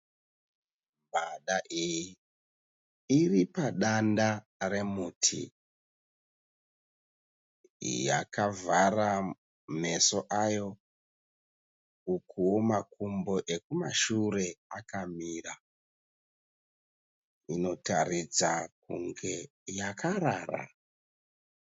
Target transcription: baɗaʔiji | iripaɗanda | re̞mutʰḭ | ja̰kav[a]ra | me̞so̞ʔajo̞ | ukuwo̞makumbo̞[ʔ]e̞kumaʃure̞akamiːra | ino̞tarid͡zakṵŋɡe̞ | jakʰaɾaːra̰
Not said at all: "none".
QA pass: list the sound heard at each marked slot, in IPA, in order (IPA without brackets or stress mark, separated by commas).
a, ʔ